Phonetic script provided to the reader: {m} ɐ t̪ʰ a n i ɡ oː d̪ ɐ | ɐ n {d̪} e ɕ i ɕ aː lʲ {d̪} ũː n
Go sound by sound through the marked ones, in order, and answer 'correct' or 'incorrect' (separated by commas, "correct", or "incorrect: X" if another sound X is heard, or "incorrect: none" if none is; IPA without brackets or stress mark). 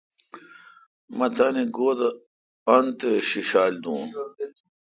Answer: correct, incorrect: t̪, correct